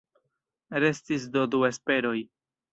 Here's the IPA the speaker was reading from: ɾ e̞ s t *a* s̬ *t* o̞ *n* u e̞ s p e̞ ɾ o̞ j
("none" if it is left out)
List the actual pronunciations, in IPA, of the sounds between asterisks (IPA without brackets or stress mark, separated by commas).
i, d, d